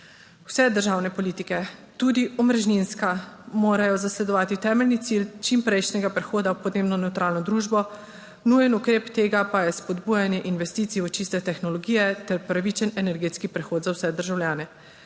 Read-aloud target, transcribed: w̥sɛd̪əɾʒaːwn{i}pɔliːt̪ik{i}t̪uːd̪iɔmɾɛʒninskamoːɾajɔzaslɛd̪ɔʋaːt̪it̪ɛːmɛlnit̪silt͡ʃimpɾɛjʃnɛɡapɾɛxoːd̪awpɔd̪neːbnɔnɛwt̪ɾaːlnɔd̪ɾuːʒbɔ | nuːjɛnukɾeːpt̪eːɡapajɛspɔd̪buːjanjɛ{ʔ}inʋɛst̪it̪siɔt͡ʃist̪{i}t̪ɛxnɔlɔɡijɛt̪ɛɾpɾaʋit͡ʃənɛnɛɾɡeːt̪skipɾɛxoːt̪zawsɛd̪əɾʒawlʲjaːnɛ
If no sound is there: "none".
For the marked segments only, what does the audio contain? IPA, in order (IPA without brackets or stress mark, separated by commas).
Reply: ɛ, ɛ, ʔ, ɛ